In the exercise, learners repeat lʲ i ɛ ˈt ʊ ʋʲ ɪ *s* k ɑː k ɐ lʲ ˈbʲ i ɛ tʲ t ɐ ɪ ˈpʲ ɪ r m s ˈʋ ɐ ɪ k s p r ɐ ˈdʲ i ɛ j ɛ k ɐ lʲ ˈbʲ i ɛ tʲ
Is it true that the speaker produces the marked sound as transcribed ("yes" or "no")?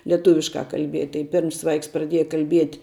no